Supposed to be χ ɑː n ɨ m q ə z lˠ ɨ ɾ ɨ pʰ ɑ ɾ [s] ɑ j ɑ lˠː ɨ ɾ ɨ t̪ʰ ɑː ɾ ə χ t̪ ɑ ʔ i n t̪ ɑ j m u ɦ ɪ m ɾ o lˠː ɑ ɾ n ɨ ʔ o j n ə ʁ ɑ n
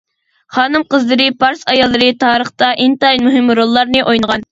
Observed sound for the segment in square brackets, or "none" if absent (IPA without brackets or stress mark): s